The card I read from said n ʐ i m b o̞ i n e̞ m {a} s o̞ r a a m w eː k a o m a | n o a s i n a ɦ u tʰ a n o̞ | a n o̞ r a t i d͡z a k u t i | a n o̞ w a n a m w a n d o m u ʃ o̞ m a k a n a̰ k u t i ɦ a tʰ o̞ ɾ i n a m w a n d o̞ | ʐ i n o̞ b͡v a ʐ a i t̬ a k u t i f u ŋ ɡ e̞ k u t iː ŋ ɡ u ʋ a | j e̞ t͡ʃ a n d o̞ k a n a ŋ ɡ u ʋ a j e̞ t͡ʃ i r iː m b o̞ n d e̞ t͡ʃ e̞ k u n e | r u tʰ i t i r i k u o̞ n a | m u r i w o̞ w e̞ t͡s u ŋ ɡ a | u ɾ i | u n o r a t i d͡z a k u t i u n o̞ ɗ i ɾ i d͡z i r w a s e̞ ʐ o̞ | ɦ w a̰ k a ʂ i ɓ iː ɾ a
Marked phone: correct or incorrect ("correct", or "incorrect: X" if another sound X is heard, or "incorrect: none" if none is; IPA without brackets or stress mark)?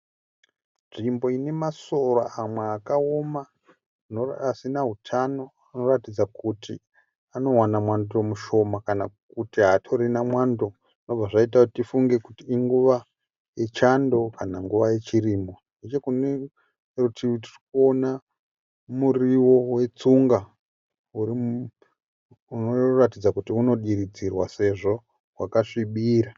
correct